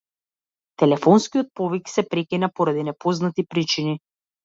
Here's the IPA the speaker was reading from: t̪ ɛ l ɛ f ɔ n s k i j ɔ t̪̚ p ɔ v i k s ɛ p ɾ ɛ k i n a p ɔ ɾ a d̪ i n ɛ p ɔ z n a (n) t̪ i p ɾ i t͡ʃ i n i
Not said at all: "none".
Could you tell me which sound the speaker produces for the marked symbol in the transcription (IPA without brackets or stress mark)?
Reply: none